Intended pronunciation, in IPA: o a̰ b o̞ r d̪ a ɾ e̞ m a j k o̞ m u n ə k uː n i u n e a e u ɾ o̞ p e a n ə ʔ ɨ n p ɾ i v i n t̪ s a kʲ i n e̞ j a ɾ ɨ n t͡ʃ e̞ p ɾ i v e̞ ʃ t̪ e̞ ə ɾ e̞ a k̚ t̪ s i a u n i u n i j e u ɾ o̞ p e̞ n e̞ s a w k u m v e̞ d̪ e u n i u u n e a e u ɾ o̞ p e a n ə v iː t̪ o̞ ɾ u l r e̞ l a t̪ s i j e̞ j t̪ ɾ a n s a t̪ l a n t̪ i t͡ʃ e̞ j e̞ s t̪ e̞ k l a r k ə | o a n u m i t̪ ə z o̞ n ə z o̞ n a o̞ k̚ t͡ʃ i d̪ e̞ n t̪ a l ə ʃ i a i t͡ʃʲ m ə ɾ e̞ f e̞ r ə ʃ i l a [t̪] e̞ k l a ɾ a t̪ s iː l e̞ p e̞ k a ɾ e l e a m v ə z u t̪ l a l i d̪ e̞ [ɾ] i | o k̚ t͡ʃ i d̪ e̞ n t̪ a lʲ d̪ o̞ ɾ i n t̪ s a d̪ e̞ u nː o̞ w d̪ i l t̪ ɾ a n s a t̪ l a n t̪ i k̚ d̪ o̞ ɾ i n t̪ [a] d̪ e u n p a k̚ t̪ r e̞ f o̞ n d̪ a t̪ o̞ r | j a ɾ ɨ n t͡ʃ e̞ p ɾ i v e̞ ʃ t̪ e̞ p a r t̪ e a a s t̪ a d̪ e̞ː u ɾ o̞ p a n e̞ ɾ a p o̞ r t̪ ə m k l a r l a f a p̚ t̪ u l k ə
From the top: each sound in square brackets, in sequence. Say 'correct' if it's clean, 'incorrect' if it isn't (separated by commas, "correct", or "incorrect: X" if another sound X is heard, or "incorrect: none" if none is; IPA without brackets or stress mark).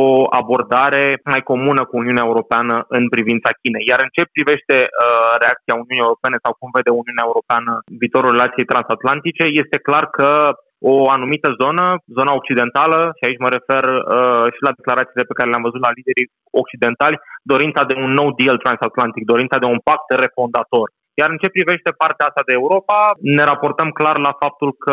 incorrect: d̪, correct, correct